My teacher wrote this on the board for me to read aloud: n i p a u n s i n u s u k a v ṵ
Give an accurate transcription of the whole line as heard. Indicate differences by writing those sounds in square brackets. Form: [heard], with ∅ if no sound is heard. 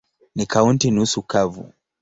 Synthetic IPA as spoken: n i [k] a u n [t] i n u s u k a v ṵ